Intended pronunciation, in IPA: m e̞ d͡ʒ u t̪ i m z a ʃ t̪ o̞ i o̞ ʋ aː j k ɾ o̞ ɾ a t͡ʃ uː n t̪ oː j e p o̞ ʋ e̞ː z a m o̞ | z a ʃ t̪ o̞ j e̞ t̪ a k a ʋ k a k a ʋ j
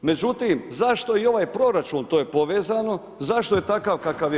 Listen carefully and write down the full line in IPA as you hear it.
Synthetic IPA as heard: m e̞ d͡ʒ u t̪ i m z a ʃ t̪ o̞ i o̞ ʋ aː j p ɾ o̞ ɾ a t͡ʃ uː n t̪ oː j e p o̞ ʋ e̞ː z a n o̞ | z a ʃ t̪ o̞ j e̞ t̪ a k a ʋ k a k a ʋ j

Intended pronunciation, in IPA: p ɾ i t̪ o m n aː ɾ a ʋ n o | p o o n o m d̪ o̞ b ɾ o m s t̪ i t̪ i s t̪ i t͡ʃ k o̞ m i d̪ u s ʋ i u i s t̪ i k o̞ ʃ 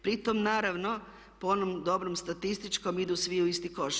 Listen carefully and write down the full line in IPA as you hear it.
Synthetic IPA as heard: p ɾ i t̪ o m n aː ɾ a ʋ n o | p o o n o m d̪ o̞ b ɾ o m s t̪ a t̪ i s t̪ i t͡ʃ k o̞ m i d̪ u s ʋ i u i s t̪ i k o̞ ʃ

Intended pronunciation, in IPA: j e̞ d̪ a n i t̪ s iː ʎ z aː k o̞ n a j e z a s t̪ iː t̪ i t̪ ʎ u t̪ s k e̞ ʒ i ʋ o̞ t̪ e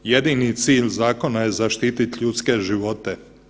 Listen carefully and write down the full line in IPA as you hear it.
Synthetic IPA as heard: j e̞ d̪ i n i t̪ s iː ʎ z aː k o̞ n a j e z a ʃ t̪ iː t̪ i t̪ ʎ u t̪ s k e̞ ʒ i ʋ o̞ t̪ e

